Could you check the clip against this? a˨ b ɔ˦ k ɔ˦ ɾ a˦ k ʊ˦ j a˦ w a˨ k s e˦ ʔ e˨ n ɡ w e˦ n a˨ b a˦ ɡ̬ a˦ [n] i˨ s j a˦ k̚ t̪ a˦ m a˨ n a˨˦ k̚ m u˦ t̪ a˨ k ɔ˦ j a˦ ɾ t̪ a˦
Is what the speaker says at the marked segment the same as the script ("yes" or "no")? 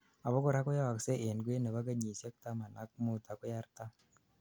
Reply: no